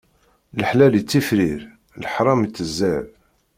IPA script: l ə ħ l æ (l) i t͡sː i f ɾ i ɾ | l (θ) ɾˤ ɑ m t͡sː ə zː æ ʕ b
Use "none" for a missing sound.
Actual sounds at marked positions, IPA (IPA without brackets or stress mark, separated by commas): l, ħ